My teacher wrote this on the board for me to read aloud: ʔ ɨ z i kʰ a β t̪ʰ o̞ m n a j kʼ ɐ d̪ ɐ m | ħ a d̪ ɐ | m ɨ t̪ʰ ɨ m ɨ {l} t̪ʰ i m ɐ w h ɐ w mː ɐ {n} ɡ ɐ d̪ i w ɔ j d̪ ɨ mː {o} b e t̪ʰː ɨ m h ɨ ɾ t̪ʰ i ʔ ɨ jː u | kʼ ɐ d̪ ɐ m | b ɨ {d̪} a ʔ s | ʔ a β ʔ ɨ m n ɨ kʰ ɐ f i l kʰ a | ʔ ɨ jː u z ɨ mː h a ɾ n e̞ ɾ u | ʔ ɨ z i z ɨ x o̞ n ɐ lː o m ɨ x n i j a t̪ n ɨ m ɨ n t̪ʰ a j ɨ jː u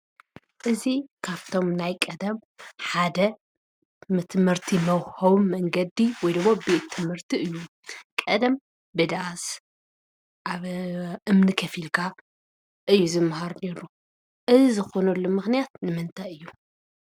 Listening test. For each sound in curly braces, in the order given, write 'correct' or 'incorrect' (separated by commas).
incorrect, incorrect, correct, correct